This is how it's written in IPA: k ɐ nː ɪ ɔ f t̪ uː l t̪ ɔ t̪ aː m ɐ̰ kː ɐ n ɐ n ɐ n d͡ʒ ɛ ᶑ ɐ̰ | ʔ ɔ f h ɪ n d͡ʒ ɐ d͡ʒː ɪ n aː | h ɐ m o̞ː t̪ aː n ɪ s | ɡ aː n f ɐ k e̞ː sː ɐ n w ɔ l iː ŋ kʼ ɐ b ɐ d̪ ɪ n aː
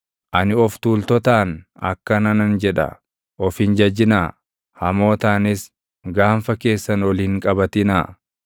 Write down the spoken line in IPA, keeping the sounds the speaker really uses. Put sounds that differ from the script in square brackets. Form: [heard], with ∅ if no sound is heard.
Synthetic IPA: [ʔ] ɐ [n] ɪ ɔ f t̪ uː l t̪ ɔ t̪ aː [n] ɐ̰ kː ɐ n ɐ n ɐ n d͡ʒ ɛ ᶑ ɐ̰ | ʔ ɔ f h ɪ n d͡ʒ ɐ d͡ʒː ɪ n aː | h ɐ m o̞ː t̪ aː n ɪ s | ɡ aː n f ɐ k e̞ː sː ɐ n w ɔ l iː ŋ kʼ ɐ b ɐ [t̪] ɪ n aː

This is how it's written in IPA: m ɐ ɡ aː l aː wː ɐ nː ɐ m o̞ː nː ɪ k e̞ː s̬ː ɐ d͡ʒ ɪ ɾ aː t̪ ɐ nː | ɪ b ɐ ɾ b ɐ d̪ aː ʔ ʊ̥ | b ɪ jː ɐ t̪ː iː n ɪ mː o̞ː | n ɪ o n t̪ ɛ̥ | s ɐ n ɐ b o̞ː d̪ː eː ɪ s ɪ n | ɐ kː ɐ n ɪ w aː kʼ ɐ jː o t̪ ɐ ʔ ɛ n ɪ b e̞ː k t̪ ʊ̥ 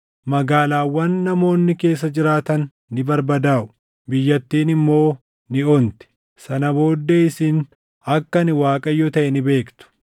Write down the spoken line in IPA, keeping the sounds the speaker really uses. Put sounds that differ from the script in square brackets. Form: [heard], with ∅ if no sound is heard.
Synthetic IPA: m ɐ ɡ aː l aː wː ɐ nː ɐ m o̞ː nː ɪ k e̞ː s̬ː ɐ d͡ʒ ɪ ɾ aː t̪ ɐ nː | ɪ b ɐ ɾ b ɐ d̪ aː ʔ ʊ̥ | b ɪ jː ɐ t̪ː iː n ɪ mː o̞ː | n ɪ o n t̪ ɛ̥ | s ɐ n ɐ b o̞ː d̪ː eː ɪ s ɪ n | ɐ kː ɐ n ɪ w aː kʼ ɐ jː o t̪ ɐ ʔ ɛ n ɪ b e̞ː k t̪ ʊ̥

